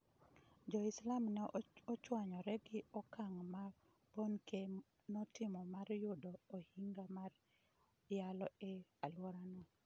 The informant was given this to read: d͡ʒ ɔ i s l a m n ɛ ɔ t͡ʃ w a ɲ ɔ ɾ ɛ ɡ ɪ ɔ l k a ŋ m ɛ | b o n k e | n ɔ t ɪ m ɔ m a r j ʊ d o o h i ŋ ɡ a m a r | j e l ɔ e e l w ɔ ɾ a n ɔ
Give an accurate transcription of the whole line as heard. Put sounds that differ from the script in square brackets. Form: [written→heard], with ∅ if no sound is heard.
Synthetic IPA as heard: d͡ʒ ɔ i s l a m n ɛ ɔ t͡ʃ w a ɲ ɔ ɾ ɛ ɡ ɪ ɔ [l→∅] k a ŋ m [ɛ→a] | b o n k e | n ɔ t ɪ m ɔ m a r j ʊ d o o h i ŋ ɡ a m a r | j [e→a] l ɔ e [e→a] l w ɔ ɾ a n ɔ